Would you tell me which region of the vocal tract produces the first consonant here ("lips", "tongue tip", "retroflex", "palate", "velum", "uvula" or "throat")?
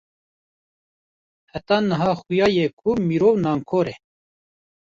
throat